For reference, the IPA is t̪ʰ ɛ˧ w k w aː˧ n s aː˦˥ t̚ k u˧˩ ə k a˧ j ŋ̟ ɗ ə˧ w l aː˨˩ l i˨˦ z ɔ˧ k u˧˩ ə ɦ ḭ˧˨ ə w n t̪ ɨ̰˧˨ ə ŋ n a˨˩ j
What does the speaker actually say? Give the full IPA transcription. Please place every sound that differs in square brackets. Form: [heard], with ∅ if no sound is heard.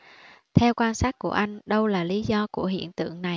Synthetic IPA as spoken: t̪ʰ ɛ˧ w k w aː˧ n s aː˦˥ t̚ k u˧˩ ə [ʔ] a˧ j ŋ̟ ɗ ə˧ w l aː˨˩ l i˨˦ z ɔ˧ k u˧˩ ə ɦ ḭ˧˨ ə [∅] n t̪ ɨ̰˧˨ ə ŋ n a˨˩ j